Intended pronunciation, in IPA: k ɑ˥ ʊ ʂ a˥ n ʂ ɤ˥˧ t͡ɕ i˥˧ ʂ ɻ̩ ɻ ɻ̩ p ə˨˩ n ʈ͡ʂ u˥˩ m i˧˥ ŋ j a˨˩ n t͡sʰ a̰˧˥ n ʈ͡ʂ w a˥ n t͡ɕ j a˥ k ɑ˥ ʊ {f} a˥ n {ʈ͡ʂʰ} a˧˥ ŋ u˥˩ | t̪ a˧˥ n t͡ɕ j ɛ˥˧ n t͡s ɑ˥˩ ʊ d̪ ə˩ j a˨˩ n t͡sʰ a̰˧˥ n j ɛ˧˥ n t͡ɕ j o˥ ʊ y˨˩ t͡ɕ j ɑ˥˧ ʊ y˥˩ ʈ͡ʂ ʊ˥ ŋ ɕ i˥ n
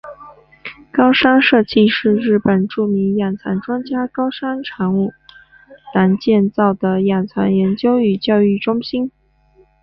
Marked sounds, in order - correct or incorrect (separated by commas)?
incorrect, correct